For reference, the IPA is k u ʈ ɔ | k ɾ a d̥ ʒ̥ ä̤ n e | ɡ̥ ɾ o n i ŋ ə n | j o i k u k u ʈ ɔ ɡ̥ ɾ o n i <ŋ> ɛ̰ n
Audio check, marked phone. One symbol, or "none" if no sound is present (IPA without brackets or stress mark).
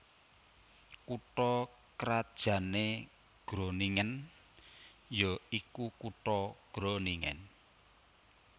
ŋ